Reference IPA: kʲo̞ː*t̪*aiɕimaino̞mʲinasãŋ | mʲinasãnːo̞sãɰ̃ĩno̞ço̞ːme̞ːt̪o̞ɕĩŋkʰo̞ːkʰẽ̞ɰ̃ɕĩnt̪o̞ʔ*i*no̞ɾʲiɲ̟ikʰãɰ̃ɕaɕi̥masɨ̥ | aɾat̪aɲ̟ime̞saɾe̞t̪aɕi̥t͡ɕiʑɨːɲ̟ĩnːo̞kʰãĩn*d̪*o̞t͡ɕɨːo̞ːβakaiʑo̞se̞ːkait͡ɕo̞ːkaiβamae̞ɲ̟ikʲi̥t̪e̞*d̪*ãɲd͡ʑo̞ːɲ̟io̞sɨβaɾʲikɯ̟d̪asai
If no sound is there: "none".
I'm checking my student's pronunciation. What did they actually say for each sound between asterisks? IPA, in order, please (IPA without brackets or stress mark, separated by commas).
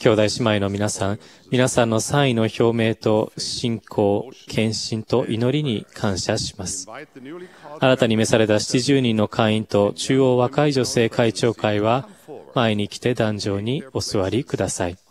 d̪, i, t̪, d̪